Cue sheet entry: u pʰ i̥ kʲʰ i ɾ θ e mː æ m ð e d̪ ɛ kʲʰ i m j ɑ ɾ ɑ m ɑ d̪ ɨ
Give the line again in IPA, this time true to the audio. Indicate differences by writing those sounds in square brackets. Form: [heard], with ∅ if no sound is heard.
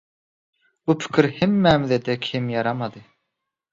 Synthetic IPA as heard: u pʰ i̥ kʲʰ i ɾ [h] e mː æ m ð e d̪ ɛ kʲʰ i m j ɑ ɾ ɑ m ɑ d̪ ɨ